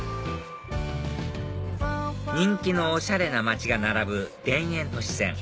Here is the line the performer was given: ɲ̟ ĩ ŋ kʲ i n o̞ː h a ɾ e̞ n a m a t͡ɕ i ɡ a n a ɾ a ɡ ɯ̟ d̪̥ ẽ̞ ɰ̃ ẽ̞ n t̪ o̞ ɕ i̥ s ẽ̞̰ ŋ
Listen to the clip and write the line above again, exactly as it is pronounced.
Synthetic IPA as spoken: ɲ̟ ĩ ŋ kʲ i n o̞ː ɕ a ɾ e̞ n a m a t͡ɕ i ɡ a n a ɾ a b ɯ̟ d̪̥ ẽ̞ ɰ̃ ẽ̞ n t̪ o̞ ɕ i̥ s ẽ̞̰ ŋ